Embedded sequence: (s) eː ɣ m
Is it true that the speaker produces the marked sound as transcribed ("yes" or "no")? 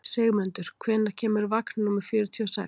yes